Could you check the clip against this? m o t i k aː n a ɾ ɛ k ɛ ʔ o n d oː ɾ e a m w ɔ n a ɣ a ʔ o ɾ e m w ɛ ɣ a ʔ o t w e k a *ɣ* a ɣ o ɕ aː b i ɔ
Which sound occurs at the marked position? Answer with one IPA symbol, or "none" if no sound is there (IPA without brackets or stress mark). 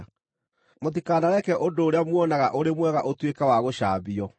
w